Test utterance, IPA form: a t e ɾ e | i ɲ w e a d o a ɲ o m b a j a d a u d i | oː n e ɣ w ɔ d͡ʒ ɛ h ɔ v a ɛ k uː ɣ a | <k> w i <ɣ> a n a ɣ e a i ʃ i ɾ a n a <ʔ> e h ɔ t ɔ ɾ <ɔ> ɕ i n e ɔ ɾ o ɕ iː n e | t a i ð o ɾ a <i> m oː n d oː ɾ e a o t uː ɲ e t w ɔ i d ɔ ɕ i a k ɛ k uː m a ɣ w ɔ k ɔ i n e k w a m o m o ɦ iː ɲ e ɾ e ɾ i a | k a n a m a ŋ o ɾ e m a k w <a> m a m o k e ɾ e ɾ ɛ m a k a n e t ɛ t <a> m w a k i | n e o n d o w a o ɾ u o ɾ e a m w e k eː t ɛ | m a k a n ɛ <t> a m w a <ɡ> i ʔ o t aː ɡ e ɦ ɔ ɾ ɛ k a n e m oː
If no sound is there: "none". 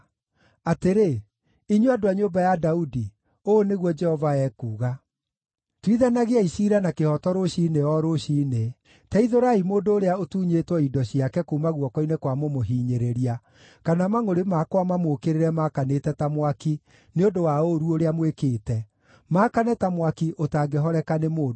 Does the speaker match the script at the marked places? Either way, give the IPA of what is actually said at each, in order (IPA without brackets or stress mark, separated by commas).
t, ð, k, o, i, a, a, t, k